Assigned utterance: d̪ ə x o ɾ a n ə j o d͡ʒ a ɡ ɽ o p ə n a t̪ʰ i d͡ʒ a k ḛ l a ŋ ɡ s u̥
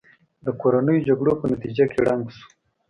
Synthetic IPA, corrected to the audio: d̪ ə k o ɾ a n ə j o d͡ʒ a ɡ ɽ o p ə n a t̪ i d͡ʒ a k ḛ ɽ a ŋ ɡ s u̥